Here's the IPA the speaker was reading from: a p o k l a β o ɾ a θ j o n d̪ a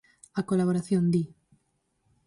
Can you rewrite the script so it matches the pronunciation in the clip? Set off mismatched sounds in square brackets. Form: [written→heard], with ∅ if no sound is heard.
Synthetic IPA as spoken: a [p→k] o [k→∅] l a β o ɾ a θ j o n d̪ [a→i]